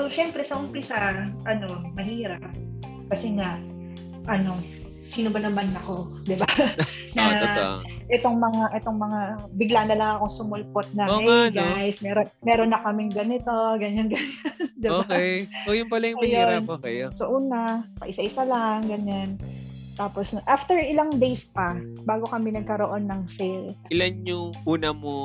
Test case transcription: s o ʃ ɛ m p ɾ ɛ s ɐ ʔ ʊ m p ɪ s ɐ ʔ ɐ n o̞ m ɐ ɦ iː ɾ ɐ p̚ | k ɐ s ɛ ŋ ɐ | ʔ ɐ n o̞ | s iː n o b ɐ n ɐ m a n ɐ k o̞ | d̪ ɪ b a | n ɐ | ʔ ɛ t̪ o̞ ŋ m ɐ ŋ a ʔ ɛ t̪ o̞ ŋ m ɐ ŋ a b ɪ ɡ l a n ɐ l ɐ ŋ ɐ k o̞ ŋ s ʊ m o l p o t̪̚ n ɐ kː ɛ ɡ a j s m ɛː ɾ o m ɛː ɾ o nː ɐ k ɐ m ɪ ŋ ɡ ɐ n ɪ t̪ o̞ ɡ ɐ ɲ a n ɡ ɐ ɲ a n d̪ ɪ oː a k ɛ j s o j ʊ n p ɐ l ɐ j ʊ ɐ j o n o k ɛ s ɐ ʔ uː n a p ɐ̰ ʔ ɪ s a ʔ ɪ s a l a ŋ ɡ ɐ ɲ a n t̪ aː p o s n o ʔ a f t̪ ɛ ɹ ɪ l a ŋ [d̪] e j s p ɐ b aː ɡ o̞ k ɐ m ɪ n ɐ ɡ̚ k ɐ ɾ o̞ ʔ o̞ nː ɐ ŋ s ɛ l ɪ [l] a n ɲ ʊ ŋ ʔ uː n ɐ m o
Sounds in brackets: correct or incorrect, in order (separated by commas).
correct, correct